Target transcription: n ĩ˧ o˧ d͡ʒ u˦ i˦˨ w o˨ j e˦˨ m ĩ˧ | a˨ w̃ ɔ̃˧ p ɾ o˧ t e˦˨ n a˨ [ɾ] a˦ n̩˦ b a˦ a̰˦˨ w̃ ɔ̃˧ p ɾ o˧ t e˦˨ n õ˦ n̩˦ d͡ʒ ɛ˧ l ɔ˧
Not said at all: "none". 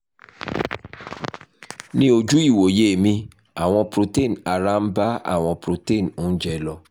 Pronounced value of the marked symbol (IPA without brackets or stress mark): ɾ